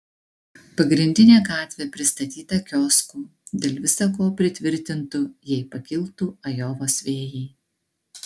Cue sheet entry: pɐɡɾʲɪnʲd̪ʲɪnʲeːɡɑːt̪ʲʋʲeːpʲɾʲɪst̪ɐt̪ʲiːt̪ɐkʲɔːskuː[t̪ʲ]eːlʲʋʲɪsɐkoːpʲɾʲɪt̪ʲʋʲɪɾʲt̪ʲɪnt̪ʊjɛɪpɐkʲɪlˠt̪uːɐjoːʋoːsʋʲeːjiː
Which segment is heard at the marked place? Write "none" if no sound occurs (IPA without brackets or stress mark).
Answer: d̪ʲ